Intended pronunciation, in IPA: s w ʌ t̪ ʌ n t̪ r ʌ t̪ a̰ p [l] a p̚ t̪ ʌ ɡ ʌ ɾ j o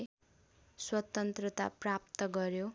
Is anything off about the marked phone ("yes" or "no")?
yes